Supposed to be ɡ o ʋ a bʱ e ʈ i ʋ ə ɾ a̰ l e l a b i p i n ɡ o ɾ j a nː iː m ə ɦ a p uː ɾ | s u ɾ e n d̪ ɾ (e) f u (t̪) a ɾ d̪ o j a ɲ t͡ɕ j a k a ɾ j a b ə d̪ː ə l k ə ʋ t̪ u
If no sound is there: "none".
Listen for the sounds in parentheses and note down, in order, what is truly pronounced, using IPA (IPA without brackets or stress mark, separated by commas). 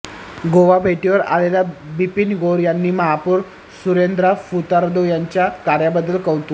a, t̪